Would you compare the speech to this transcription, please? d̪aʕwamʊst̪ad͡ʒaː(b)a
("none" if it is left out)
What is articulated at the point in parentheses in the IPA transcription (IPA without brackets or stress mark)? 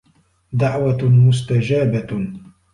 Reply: b